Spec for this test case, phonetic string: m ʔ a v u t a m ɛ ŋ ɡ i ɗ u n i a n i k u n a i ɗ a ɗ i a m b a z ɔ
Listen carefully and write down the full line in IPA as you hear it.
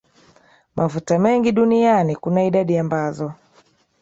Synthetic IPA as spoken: m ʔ a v u t a m ɛ ŋ ɡ i ɗ u n i a n i k u n a i ɗ a ɗ i a m b a z ɔ

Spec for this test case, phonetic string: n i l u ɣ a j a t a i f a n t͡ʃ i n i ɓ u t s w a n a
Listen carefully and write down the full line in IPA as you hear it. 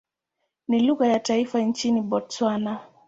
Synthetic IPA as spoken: n i l u ɣ a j a t a i f a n t͡ʃ i n i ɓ ɔ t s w a n a

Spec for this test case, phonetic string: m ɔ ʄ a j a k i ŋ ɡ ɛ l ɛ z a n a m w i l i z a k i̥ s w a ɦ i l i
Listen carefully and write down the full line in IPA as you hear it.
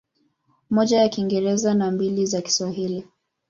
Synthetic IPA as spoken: m ɔ ʄ a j a k i ŋ ɡ ɛ ɾ ɛ z a n a m b i l i z a k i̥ s w a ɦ i l i

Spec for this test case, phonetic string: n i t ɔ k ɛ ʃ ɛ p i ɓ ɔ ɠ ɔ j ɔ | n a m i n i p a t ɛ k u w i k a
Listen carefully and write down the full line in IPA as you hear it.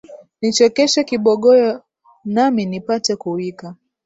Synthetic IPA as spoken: n i t͡ʃ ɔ k ɛ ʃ ɛ k i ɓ ɔ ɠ ɔ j ɔ | n a m i n i p a t ɛ k u w i k a

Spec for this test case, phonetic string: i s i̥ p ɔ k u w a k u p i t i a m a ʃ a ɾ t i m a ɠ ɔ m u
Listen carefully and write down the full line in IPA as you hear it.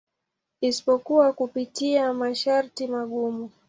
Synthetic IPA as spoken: i s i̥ p ɔ k u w a k u p i t i a m a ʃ a ɾ t i m a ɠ u m u

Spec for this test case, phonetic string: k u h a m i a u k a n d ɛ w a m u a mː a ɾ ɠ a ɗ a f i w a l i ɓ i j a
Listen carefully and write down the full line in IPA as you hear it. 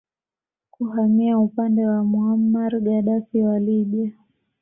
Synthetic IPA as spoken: k u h a m i a u p a n d ɛ w a m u a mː a ɾ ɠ a ɗ a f i w a l i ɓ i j a

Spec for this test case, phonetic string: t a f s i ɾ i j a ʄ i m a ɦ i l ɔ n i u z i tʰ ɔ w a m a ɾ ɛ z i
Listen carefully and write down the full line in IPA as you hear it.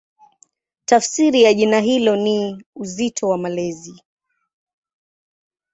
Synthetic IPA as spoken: t a f s i ɾ i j a ʄ i n a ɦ i l ɔ n i u z i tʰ ɔ w a m a l ɛ z i

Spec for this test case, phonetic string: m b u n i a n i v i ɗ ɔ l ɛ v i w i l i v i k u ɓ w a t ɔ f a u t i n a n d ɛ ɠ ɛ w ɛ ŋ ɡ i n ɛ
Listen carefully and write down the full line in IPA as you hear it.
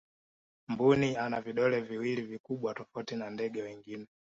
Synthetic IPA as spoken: m b u n i a n a v i ɗ ɔ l ɛ v i w i l i v i k u ɓ w a t ɔ f a u t i n a n d ɛ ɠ ɛ w ɛ ŋ ɡ i n ɛ

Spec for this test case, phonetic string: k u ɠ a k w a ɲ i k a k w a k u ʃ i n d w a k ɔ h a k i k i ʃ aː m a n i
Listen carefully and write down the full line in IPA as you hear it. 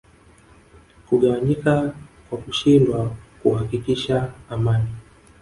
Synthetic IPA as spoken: k u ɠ a w a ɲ i k a k w a k u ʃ i n d w a k u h a k i k i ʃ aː m a n i

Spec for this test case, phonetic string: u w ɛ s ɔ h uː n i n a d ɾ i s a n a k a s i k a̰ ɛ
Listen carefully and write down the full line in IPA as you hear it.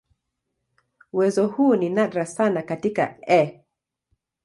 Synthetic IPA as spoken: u w ɛ z ɔ h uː n i n a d ɾ a s a n a k a t i k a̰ ɛ

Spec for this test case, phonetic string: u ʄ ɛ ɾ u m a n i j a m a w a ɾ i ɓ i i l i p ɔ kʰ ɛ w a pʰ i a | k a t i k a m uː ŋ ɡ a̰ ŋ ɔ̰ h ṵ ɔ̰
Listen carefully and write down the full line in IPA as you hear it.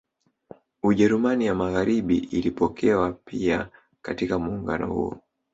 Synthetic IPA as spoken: u ʄ ɛ ɾ u m a n i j a m a ɣ a ɾ i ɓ i i l i p ɔ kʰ ɛ w a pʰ i a | k a t i k a m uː ŋ ɡ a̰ n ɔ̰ h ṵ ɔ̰

